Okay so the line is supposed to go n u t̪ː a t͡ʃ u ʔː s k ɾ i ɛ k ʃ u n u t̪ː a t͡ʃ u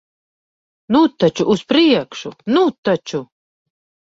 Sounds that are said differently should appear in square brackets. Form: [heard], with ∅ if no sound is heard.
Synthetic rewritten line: n u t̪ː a t͡ʃ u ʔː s [p] ɾ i ɛ k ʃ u n u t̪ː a t͡ʃ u